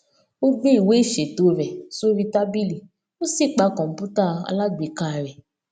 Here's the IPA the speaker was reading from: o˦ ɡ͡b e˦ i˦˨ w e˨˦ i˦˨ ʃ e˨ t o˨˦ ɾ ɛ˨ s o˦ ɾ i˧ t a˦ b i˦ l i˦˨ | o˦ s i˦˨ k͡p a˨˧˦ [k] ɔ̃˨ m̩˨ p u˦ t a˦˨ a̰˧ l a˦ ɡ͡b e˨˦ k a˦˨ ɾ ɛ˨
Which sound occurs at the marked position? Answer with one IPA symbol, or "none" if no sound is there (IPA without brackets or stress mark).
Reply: k